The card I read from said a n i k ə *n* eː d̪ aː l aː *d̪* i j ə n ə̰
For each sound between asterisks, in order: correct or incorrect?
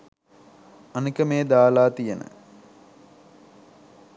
incorrect: m, incorrect: t̪

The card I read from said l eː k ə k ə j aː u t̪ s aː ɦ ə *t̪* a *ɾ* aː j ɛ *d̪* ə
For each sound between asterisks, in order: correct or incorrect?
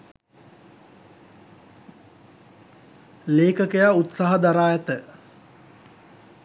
incorrect: d̪, correct, incorrect: t̪

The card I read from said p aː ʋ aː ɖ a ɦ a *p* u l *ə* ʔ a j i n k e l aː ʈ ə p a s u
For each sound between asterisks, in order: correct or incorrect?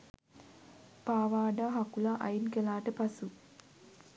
incorrect: k, incorrect: a

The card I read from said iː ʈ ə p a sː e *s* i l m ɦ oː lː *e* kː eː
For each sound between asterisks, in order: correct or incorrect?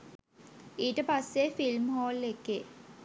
incorrect: f, correct

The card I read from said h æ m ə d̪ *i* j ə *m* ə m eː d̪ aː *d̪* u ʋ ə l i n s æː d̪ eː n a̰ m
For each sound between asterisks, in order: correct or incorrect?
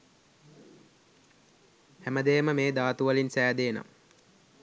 incorrect: e, correct, incorrect: t̪

